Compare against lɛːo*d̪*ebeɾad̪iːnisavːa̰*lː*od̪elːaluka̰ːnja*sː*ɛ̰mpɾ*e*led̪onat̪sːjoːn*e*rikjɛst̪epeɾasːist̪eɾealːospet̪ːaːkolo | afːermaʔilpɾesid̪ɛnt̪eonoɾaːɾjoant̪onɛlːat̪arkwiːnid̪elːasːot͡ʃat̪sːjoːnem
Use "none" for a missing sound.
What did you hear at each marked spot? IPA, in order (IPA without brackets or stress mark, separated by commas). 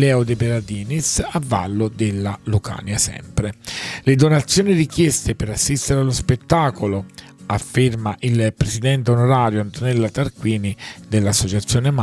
d̪, lː, s, e, i